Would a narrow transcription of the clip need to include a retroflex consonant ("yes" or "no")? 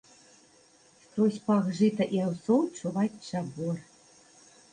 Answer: yes